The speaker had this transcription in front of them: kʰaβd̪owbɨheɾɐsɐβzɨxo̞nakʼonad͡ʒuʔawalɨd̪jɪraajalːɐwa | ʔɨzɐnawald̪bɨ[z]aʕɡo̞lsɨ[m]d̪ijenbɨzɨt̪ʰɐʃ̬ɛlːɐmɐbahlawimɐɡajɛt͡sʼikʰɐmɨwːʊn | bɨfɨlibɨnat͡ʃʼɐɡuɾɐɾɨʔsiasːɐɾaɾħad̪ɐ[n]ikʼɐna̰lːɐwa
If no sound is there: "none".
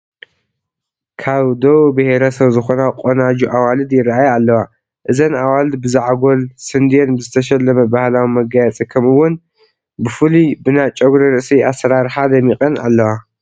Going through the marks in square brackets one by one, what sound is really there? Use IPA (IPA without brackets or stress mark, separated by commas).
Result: z, n, m